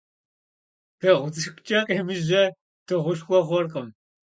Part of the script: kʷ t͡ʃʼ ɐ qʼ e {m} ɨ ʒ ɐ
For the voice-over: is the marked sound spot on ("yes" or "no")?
yes